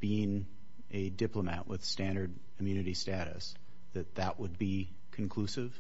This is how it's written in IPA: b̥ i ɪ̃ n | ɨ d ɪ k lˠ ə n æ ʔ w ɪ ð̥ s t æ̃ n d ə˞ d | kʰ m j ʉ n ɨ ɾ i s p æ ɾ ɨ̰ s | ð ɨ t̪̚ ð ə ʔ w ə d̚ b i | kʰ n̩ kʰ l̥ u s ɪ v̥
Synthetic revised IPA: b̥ i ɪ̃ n | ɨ d ɪ p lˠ ə m æ ʔ w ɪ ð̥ s t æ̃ n d ə˞ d | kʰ m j ʉ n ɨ ɾ i s t æ ɾ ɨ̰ s | ð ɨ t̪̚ ð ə ʔ w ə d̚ b i | kʰ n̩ kʰ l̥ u s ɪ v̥